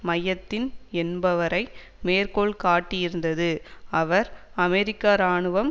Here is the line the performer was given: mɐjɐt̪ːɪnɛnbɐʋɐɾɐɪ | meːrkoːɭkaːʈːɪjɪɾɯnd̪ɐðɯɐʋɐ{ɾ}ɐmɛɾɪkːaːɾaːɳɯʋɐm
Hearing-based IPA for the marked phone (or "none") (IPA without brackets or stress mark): ɾ